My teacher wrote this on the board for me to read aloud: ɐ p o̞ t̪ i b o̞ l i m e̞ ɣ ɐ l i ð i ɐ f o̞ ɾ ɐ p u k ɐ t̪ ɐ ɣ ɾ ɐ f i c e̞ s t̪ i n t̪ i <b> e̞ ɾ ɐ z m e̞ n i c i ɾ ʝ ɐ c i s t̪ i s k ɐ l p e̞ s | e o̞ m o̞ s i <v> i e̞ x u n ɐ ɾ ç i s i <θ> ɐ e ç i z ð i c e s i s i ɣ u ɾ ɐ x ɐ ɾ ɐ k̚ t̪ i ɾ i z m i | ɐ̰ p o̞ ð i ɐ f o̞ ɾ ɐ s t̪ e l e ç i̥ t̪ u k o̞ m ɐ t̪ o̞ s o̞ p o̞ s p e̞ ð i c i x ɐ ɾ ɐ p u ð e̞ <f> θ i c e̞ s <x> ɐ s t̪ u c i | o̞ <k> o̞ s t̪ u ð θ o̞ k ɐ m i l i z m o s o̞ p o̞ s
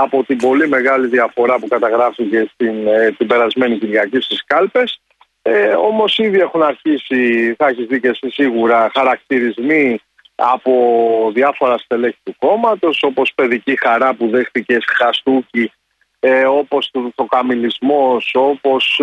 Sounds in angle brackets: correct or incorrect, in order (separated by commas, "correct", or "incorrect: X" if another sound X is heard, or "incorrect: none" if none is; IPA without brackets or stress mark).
correct, incorrect: ð, correct, incorrect: x, correct, incorrect: p